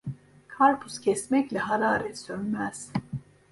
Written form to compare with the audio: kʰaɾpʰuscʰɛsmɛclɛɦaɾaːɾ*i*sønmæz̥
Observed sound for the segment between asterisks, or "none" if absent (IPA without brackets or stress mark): ɛ